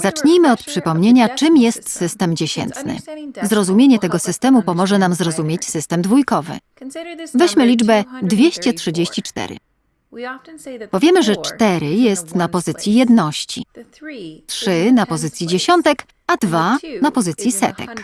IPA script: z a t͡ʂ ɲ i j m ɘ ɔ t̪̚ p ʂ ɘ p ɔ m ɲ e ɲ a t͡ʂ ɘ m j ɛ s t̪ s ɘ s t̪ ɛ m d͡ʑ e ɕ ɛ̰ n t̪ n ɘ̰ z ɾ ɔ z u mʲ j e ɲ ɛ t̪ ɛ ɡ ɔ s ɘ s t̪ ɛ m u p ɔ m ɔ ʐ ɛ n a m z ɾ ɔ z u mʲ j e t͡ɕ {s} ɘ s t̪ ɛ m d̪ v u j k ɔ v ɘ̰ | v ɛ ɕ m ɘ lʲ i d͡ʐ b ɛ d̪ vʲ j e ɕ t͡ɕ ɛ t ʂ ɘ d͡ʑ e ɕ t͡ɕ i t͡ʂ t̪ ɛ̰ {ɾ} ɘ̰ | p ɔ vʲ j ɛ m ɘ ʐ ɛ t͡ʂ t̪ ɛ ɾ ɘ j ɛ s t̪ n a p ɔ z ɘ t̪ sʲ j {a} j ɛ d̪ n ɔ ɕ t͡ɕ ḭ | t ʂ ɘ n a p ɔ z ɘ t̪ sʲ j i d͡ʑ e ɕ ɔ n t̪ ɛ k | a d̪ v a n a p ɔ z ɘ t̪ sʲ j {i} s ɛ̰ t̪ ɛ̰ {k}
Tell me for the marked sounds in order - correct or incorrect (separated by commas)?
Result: correct, correct, incorrect, correct, correct